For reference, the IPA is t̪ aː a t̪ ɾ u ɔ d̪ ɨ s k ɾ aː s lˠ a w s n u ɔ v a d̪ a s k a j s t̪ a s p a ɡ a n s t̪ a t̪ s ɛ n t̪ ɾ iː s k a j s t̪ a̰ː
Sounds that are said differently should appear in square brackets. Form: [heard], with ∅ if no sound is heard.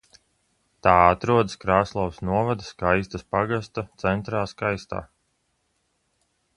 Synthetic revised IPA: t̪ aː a t̪ ɾ u ɔ d̪ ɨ s k ɾ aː s lˠ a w s n u ɔ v a d̪ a s k a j s t̪ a s p a ɡ a [∅] s t̪ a t̪ s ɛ n t̪ ɾ [aː] s k a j s t̪ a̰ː